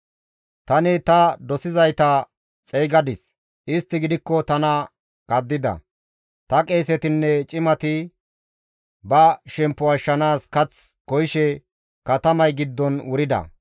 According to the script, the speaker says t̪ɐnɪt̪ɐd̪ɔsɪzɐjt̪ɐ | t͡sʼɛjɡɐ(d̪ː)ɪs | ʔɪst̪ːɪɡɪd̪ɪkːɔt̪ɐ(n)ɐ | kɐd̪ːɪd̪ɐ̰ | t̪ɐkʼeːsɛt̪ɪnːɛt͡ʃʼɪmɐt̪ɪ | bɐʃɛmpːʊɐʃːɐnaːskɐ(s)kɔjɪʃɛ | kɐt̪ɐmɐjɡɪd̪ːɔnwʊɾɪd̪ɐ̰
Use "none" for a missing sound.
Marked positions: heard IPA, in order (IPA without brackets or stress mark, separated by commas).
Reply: d̪, n, t͡s